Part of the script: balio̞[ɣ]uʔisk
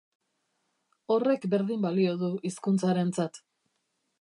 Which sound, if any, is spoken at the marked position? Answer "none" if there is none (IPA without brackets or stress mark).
ð